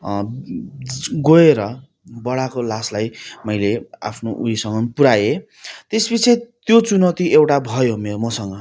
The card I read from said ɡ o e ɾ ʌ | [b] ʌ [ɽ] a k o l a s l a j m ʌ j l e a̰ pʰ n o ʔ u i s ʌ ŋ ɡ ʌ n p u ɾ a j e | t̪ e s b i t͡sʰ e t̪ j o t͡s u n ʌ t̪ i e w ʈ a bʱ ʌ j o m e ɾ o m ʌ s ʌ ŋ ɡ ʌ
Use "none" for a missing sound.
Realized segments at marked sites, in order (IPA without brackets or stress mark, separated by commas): b, ɽ